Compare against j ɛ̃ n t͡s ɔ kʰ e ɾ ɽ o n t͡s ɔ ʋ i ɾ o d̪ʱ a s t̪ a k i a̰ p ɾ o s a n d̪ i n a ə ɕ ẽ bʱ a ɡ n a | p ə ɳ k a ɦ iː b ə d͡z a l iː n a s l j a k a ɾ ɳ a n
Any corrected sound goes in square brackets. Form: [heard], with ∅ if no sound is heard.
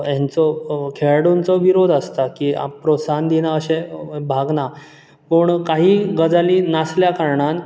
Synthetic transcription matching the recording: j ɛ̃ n t͡s ɔ kʰ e [ɭ] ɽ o n t͡s ɔ ʋ i ɾ o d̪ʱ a s t̪ a k i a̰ p ɾ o s a n d̪ i n a ə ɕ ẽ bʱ a ɡ n a | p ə ɳ k a ɦ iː [ɡ] ə d͡z a l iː n a s l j a k a ɾ ɳ a n